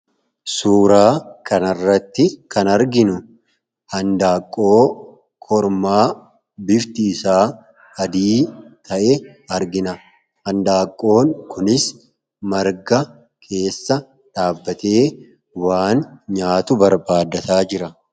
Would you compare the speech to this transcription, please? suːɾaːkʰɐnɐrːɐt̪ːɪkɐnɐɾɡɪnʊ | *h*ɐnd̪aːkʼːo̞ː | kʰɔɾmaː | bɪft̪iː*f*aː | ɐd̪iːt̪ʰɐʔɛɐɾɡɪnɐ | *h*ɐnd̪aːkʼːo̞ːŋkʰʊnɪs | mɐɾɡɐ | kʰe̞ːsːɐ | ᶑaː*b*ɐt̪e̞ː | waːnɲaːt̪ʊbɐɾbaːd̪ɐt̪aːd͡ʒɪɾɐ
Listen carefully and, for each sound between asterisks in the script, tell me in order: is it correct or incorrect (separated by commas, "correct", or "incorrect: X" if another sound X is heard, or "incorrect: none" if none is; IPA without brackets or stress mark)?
correct, incorrect: s, correct, incorrect: bː